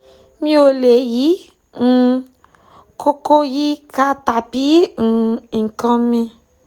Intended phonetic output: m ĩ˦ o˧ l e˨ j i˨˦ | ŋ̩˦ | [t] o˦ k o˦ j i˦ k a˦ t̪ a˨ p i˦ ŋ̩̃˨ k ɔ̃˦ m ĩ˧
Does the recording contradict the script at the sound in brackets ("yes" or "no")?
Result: yes